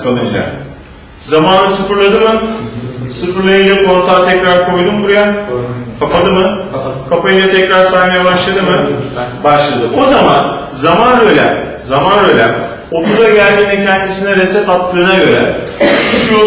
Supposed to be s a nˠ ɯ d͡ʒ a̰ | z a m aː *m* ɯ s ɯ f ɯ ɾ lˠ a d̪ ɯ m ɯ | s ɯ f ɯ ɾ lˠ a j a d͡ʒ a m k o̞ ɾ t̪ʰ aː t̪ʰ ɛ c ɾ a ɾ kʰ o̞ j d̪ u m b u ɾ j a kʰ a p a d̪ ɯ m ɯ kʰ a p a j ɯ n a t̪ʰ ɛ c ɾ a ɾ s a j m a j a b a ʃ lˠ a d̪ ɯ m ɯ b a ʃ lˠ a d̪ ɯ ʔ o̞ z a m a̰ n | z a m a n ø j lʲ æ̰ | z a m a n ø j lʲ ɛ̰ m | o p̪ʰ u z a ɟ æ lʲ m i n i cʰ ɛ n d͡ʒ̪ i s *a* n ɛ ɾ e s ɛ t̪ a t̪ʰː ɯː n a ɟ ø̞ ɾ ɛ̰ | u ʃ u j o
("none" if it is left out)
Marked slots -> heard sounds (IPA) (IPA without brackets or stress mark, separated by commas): n, i